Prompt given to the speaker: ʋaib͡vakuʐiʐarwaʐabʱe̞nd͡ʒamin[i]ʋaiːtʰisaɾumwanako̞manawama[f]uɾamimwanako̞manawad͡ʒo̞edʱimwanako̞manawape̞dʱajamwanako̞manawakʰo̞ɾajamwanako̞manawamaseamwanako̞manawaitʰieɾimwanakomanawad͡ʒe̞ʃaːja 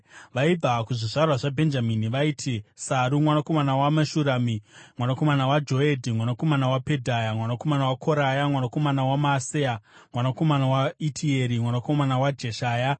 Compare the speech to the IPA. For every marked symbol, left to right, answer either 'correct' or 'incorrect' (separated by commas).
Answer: correct, incorrect